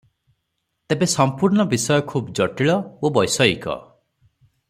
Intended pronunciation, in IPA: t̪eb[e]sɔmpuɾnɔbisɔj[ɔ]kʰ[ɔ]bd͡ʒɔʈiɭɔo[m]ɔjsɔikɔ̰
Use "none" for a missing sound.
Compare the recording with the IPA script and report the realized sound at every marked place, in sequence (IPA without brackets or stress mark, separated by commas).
e, ɔ, u, b